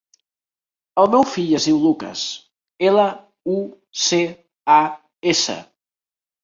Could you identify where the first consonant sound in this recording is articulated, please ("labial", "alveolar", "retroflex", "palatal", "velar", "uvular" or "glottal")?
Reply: alveolar